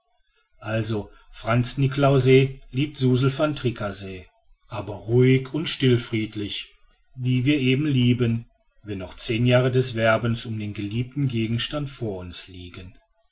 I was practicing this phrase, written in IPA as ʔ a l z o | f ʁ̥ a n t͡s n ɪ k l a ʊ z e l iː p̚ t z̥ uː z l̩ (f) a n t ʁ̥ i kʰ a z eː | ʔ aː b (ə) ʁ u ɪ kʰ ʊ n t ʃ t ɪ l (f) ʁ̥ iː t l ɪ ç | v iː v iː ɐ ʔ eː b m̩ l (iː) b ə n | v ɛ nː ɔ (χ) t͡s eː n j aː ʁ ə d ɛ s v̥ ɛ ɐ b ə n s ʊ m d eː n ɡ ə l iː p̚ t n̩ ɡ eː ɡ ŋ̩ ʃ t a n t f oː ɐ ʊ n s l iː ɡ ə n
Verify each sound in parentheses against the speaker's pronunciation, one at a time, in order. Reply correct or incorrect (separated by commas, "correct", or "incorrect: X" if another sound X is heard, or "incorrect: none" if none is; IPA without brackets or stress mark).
correct, incorrect: ɐ, correct, correct, correct